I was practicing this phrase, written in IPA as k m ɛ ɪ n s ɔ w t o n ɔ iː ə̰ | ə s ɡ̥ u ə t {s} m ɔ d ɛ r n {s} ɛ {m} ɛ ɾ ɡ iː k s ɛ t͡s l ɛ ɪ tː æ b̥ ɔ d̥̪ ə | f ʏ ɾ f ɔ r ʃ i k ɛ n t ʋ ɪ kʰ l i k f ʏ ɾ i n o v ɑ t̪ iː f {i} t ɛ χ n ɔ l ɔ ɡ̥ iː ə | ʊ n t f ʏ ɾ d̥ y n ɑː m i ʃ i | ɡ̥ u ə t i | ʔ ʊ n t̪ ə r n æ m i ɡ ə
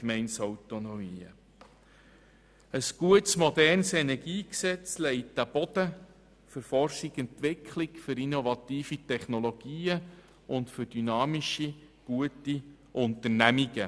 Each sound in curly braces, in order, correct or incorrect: correct, correct, incorrect: n, correct

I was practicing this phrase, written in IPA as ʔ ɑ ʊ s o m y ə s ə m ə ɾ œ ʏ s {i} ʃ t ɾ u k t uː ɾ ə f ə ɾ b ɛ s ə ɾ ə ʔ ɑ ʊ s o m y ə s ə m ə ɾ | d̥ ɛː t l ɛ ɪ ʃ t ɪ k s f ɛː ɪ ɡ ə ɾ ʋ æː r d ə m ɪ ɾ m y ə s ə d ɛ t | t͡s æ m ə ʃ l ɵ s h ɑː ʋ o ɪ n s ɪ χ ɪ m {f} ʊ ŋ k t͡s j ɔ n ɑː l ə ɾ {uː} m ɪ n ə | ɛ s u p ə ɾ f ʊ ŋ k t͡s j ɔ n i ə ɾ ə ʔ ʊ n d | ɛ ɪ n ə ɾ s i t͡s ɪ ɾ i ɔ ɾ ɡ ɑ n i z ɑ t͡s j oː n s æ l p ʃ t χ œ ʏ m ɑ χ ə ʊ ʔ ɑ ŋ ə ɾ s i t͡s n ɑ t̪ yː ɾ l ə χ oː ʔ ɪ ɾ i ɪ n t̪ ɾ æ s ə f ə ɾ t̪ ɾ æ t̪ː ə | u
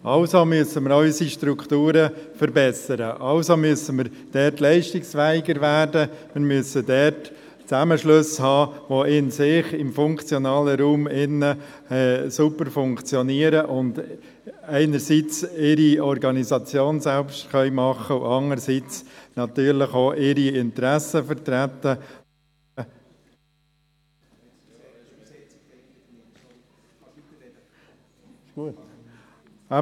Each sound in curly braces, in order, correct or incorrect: correct, correct, correct

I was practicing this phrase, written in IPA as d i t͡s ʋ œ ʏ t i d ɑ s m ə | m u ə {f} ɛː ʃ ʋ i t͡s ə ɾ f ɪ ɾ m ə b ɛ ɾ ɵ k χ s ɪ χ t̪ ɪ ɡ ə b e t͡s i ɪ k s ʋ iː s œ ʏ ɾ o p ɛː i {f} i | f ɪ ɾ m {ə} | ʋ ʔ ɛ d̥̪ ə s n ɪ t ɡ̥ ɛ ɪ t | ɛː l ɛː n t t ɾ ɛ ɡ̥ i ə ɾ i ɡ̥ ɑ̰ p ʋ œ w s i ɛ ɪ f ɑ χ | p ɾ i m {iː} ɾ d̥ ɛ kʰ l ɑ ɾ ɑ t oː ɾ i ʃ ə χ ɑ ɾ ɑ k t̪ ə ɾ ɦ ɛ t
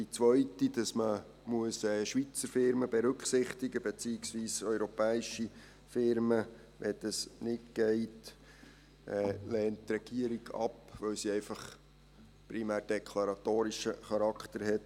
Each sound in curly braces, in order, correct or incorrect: incorrect: s, incorrect: ʃ, correct, incorrect: æː

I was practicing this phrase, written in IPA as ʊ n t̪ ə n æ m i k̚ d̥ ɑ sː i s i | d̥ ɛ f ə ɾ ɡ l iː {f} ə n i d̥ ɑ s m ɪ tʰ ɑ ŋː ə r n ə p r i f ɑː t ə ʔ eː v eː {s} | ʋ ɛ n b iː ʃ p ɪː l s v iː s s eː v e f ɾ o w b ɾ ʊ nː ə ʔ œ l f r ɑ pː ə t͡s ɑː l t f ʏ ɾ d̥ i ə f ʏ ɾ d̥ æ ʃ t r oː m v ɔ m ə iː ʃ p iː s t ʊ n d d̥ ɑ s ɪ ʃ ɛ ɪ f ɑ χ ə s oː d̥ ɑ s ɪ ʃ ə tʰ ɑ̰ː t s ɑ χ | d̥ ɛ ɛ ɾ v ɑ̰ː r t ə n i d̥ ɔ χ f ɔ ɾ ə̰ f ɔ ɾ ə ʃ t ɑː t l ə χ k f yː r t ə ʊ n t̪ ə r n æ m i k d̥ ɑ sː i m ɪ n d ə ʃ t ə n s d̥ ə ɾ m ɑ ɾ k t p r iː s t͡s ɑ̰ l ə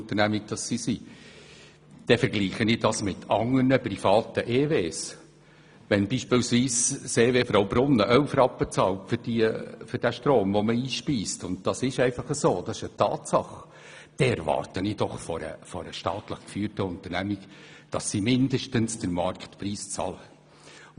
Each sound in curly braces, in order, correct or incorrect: incorrect: χ, correct

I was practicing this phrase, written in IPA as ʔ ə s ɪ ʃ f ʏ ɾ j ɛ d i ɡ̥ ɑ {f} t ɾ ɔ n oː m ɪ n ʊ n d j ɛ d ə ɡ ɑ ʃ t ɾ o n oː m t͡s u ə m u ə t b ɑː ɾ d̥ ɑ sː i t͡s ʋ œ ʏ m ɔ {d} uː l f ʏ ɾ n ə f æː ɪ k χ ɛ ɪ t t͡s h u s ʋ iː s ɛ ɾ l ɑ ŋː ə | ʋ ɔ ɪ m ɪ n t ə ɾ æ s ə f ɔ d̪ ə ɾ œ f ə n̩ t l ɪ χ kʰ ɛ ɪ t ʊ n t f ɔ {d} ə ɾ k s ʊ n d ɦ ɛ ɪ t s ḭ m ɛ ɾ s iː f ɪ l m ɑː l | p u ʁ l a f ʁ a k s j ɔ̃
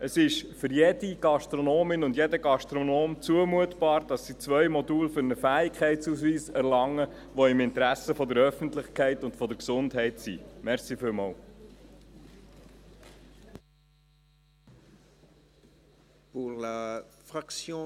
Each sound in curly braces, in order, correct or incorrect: incorrect: ʃ, correct, correct

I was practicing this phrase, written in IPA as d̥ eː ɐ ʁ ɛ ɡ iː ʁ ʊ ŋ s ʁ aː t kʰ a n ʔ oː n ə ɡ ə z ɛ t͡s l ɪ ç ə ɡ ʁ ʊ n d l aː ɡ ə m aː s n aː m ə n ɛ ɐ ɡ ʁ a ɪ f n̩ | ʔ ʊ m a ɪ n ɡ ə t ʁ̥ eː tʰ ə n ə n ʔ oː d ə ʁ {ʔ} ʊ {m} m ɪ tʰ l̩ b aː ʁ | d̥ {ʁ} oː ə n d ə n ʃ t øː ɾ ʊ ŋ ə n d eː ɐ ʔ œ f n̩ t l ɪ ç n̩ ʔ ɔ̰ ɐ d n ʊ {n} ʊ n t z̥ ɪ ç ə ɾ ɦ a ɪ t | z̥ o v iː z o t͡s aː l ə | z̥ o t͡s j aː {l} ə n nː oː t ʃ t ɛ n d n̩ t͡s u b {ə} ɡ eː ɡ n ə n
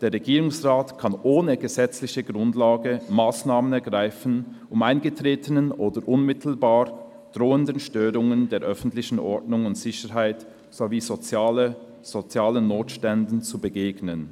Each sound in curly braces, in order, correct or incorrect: correct, incorrect: n, correct, incorrect: ŋ, correct, correct

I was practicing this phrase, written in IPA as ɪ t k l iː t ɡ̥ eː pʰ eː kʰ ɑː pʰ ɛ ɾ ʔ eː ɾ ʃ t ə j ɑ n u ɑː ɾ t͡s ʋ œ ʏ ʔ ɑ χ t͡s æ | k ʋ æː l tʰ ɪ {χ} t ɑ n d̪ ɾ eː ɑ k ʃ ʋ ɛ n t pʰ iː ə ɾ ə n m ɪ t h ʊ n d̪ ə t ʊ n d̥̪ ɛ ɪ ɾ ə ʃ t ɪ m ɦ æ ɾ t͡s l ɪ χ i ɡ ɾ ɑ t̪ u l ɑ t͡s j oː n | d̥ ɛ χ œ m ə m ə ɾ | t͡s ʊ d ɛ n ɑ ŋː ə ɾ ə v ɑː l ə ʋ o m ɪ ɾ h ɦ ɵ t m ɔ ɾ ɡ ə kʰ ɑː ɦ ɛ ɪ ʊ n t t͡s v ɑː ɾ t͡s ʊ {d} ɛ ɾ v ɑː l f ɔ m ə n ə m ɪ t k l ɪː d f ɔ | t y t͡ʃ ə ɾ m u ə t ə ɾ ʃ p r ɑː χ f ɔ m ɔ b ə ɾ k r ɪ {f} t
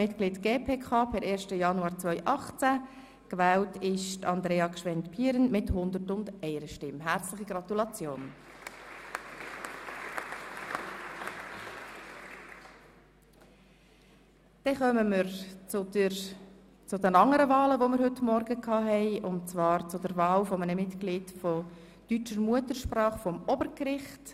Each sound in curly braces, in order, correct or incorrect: incorrect: ʃ, correct, incorrect: χ

